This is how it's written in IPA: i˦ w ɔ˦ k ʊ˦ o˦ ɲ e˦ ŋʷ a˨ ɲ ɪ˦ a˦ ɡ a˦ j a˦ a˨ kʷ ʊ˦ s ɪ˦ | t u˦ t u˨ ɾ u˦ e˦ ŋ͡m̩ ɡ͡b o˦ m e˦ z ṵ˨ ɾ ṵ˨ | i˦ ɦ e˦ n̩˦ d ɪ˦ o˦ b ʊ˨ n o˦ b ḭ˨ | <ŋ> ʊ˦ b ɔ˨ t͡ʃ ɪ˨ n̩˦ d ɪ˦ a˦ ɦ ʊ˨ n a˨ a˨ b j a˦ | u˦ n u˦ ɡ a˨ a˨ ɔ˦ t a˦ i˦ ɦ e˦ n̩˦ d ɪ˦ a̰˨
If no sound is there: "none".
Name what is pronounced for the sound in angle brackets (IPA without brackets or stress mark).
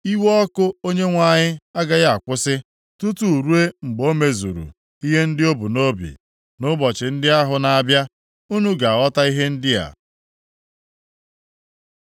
n